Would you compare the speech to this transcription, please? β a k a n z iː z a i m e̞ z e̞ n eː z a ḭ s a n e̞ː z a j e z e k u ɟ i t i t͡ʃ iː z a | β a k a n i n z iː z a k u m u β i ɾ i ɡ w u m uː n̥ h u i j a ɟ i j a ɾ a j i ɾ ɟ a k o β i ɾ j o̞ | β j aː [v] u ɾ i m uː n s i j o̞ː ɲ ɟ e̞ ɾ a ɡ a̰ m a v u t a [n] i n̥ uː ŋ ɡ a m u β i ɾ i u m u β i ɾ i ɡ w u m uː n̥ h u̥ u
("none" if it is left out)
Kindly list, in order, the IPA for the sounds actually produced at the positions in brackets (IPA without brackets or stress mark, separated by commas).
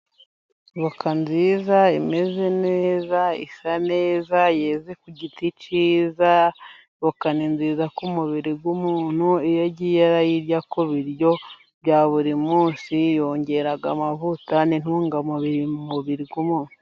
β, n